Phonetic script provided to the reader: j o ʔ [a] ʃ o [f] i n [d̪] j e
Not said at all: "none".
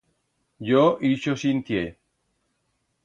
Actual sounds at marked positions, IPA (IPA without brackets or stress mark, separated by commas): i, s, t̪